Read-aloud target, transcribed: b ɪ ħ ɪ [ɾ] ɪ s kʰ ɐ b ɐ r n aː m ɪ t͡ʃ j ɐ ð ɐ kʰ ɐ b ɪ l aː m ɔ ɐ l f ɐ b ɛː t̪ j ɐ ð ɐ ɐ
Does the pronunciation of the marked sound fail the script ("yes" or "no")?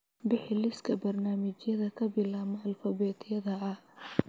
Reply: yes